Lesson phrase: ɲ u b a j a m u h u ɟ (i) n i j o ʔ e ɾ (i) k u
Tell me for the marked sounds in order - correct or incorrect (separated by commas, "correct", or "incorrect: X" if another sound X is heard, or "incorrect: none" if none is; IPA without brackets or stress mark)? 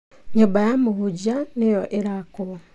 incorrect: a, incorrect: a